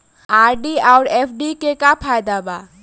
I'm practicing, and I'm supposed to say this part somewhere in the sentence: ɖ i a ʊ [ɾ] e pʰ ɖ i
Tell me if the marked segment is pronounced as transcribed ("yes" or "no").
yes